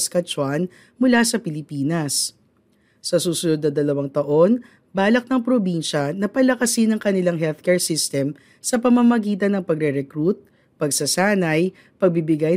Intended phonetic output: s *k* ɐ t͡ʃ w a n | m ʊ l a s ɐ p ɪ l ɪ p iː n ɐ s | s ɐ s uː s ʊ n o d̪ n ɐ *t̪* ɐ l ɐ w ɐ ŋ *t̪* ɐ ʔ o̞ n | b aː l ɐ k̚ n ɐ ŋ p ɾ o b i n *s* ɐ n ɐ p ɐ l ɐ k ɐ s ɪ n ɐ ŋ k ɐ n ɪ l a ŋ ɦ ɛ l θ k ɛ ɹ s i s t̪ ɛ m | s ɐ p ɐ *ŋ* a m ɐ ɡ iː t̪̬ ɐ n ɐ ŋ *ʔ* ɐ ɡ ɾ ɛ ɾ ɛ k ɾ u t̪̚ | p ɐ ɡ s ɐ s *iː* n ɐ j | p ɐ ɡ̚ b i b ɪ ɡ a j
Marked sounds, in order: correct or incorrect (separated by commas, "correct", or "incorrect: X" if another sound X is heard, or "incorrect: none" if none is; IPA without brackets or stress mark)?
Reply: correct, incorrect: d̪, correct, incorrect: ʃ, incorrect: m, incorrect: p, incorrect: aː